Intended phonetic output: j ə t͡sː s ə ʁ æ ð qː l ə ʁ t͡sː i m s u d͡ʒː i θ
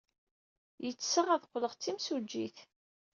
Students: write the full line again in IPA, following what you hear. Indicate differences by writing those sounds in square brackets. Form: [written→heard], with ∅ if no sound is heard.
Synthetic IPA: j ə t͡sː s ə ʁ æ ð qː l ə ʁ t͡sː i m s u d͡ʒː i θ